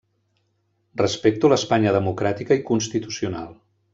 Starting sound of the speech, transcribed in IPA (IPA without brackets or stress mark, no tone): r